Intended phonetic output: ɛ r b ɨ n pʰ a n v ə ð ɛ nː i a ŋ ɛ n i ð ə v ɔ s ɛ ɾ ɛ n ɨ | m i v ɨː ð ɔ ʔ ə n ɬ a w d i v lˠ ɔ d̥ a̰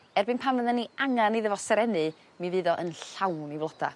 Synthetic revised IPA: ɛ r b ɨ n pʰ a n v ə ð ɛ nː i a ŋ a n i ð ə v ɔ s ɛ ɾ ɛ n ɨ | m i v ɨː ð ɔ ʔ ə n ɬ a w n i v lˠ ɔ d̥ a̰